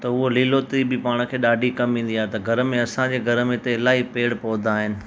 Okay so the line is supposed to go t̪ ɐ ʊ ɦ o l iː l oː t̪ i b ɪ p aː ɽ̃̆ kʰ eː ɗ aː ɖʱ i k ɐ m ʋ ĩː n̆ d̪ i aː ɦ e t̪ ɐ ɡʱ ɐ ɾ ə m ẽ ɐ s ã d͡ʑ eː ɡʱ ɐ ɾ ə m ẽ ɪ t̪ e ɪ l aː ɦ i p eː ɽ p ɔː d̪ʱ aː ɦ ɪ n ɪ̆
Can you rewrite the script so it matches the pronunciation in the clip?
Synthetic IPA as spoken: t̪ ɐ ʊ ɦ o l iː l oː t̪ i b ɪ p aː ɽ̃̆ kʰ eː ɗ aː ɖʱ i k ɐ m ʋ ĩː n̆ d̪ i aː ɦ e t̪ ɐ ɡʱ ɐ ɾ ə m ẽ ɐ s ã d͡ʑ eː ɡʱ ɐ ɾ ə m ẽ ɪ t̪ e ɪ l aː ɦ i p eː ɽ p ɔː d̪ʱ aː ɦ ɪ n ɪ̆